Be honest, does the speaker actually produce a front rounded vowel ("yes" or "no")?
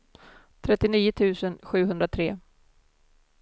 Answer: no